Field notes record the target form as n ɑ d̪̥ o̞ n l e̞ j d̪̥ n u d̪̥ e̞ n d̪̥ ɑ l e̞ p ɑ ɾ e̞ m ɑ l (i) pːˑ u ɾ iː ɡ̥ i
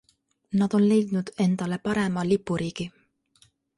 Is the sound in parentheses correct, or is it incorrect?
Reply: correct